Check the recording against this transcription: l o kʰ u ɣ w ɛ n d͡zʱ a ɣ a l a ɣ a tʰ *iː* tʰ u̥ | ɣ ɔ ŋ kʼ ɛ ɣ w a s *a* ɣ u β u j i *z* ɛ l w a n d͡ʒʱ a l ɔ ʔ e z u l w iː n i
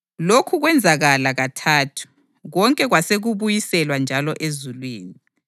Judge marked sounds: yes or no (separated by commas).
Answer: no, no, no